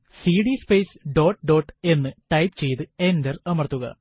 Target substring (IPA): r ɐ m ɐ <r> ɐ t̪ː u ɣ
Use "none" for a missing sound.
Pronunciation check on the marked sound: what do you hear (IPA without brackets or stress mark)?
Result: r